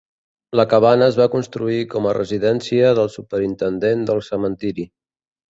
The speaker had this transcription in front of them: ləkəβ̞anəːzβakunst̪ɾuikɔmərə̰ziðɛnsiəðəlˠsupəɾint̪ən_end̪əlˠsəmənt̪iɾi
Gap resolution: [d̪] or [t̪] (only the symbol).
d̪